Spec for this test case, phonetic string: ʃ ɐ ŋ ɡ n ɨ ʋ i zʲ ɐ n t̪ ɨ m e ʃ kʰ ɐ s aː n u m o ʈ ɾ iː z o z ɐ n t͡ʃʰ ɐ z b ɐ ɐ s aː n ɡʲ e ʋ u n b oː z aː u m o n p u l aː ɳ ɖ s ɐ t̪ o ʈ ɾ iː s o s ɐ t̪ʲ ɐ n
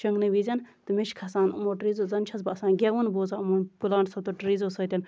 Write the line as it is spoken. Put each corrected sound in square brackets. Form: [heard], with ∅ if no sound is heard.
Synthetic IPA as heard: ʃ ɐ ŋ ɡ n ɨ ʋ i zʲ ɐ n t̪ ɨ m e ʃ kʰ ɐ s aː n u m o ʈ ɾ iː z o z ɐ n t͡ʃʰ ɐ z b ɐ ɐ s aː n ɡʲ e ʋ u n b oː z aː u m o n p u l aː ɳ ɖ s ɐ t̪ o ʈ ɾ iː [z] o s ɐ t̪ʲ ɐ n